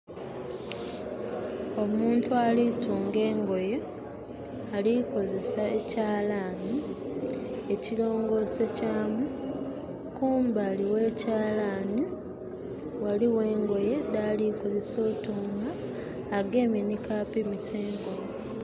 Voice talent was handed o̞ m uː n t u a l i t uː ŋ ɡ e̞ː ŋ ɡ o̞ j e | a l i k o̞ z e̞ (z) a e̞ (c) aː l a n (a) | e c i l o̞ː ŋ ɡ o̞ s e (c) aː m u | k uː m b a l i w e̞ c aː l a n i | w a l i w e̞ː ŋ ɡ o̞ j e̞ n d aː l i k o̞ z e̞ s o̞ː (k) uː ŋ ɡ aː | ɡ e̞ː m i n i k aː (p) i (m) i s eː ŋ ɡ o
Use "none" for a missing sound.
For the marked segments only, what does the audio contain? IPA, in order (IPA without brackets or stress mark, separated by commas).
s, c, i, c, t, p, m